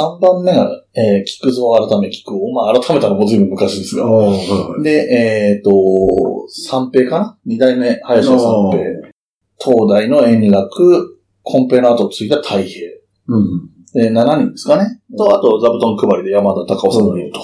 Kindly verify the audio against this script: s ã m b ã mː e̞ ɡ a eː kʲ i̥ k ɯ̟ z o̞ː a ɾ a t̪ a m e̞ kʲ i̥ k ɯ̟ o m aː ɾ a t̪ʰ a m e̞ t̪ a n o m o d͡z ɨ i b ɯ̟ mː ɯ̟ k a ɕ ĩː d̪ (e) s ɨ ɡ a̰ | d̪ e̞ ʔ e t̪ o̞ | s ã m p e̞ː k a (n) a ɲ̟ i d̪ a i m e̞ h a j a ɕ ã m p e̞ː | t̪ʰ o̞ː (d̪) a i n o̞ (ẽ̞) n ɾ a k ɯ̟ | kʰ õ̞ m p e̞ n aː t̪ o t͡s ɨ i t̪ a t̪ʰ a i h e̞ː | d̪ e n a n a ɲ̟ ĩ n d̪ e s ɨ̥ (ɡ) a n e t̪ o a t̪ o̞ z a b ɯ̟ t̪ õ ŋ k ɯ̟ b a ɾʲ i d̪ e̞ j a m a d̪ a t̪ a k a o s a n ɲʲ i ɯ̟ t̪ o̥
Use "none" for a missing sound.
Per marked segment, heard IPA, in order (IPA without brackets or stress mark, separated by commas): e, n, d̪, ẽ̞, k